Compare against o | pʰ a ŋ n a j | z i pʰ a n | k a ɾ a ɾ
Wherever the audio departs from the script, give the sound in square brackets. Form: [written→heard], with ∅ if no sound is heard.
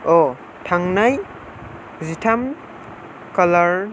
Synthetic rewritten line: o | [pʰ→tʰ] a ŋ n a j | z i [pʰ→tʰ] a [n→m] | k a [ɾ→l] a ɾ